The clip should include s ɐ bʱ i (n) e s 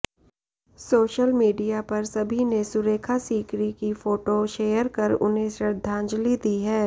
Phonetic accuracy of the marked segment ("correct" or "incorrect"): correct